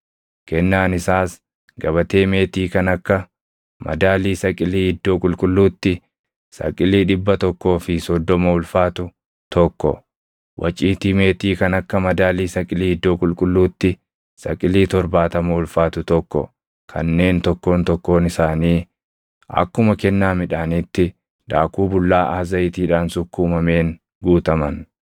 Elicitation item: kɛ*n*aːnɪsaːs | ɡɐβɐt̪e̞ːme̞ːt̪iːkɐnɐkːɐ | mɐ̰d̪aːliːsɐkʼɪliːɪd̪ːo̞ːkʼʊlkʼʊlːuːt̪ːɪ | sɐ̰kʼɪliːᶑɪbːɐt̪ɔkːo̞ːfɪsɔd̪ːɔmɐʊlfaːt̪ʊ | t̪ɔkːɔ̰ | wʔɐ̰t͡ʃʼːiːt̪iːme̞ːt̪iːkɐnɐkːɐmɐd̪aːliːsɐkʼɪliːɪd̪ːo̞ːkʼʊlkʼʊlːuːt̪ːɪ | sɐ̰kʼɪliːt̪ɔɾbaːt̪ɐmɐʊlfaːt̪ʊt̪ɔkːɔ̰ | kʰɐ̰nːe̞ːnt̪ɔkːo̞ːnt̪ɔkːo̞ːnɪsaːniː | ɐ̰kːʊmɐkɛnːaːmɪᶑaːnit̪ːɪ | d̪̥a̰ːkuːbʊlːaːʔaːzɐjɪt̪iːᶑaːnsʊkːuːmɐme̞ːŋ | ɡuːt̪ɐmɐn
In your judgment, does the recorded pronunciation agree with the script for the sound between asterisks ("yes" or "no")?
no